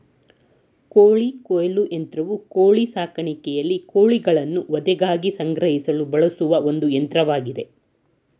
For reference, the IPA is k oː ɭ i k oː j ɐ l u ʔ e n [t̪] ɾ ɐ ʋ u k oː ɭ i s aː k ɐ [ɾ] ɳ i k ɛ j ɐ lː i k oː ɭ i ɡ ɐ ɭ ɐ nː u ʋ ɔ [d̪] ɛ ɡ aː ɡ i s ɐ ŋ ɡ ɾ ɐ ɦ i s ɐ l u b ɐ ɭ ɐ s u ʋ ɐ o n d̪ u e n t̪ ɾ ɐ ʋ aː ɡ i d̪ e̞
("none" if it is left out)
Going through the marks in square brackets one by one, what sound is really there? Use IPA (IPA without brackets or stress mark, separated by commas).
t̪, none, d̪